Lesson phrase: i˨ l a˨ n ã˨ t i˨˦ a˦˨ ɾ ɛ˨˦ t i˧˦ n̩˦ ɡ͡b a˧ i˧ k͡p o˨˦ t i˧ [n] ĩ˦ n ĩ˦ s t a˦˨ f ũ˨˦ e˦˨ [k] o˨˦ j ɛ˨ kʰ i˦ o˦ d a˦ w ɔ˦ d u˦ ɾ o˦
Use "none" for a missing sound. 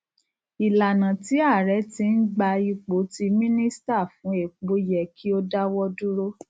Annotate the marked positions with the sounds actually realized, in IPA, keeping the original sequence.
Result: m, k͡p

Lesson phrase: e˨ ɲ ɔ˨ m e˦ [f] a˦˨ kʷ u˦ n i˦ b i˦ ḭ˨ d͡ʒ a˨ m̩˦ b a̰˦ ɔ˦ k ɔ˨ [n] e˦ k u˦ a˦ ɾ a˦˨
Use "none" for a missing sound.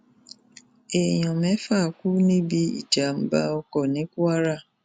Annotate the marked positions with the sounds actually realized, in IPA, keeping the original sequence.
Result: f, n

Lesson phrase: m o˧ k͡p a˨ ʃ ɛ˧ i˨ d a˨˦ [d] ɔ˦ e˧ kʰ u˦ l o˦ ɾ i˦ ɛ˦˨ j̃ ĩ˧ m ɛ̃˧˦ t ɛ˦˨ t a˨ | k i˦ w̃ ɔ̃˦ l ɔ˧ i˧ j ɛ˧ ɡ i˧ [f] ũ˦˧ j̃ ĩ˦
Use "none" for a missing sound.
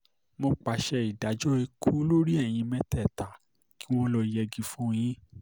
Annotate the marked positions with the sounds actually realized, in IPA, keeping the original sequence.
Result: d͡ʒ, f

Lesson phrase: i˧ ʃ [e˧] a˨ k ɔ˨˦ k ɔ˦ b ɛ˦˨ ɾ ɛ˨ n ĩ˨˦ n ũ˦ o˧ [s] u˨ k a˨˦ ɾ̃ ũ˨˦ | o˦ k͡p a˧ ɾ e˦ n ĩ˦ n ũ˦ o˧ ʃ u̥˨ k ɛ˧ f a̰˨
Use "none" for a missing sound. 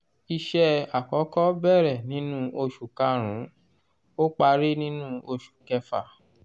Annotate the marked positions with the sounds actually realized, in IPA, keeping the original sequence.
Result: ɛ˧, ʃ

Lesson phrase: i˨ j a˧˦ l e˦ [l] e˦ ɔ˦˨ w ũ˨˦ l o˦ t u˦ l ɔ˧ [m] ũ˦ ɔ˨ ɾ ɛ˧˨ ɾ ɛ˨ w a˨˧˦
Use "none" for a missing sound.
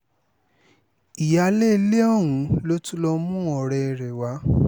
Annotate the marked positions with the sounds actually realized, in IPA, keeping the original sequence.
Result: l, m

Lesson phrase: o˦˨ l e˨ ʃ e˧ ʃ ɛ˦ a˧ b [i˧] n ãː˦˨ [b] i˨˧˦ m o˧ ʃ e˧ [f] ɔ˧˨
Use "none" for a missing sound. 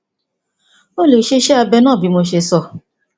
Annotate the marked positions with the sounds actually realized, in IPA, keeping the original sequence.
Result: ɛ˧, b, s

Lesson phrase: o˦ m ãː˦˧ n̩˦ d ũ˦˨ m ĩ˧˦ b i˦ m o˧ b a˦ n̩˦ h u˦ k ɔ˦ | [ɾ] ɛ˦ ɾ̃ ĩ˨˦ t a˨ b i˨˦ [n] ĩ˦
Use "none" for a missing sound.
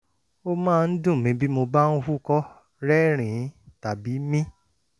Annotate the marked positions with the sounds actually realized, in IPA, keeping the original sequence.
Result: ɾ, m

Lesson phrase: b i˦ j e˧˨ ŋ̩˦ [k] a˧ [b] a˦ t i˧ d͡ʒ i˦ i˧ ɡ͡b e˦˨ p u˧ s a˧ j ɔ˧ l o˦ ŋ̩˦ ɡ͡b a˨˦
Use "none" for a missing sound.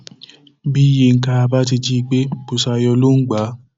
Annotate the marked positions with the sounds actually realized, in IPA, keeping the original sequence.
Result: k, b

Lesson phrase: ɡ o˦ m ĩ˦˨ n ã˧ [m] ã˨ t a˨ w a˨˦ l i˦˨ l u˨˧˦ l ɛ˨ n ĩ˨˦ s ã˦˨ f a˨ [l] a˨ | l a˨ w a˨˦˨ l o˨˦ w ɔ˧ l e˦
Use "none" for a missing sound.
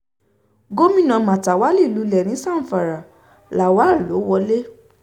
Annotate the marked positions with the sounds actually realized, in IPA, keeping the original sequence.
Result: m, ɾ

